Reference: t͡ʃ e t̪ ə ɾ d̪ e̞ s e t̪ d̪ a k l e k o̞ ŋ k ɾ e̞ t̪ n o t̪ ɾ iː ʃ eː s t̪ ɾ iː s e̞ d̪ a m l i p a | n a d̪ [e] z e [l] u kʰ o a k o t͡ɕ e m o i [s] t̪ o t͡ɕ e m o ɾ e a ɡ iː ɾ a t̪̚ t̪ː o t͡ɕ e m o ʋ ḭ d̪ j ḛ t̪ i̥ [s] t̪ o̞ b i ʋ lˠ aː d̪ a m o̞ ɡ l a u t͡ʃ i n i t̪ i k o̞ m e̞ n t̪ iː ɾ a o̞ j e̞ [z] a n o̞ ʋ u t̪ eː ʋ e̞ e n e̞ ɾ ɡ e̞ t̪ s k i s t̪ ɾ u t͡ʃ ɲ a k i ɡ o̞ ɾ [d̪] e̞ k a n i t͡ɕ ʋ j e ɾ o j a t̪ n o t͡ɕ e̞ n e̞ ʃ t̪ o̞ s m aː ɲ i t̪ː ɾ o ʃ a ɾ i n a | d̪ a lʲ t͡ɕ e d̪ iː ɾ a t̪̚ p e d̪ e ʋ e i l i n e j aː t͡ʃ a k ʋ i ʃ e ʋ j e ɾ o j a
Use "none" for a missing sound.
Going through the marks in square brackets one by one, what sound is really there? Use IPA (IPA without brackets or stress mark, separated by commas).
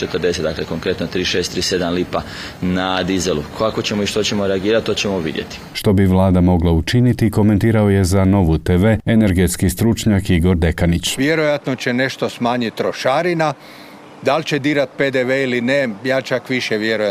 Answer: i, l, ʃ, ʃ, z, d̪